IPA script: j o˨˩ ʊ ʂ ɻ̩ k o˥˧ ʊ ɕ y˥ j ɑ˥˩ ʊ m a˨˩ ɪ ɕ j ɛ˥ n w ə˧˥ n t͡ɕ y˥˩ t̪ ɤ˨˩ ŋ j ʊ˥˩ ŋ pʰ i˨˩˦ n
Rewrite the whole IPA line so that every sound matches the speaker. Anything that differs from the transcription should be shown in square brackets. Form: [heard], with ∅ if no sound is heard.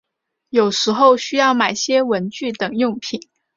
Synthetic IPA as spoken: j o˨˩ ʊ ʂ ɻ̩ [x] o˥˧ ʊ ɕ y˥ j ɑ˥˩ ʊ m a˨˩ ɪ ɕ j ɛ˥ [∅] w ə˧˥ n t͡ɕ y˥˩ t̪ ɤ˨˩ ŋ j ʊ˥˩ ŋ pʰ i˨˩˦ n